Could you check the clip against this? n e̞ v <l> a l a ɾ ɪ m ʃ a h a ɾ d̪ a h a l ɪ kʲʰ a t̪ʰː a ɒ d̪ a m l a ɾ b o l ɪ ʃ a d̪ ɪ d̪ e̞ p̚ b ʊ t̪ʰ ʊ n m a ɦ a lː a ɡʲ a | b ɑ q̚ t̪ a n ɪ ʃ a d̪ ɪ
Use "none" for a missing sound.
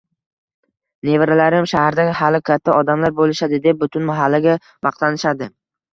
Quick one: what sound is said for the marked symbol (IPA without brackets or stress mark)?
ɾ